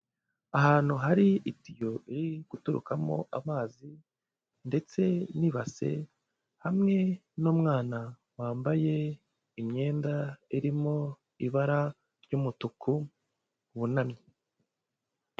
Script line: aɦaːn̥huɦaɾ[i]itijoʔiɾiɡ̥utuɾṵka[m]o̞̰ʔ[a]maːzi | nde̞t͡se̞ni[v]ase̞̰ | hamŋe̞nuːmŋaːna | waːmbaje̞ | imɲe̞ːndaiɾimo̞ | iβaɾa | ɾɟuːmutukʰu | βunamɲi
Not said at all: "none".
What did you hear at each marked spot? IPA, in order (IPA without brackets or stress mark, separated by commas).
i, m, a, β